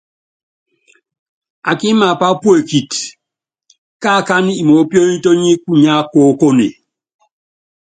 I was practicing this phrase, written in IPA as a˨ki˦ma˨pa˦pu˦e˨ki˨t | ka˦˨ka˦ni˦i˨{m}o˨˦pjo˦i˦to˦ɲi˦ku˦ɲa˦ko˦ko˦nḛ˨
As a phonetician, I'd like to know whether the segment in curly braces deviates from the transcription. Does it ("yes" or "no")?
no